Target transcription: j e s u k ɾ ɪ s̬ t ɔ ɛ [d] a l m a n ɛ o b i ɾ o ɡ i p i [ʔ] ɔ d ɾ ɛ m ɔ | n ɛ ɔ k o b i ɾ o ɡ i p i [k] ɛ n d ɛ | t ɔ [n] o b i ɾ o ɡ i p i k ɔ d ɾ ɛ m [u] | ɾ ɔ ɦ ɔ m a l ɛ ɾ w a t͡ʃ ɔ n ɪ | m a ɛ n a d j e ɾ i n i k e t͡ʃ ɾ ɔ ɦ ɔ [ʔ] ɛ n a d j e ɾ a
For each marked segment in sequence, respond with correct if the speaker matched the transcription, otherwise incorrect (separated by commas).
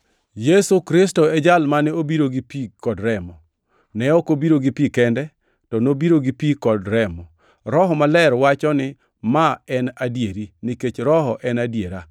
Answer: incorrect, incorrect, correct, correct, incorrect, correct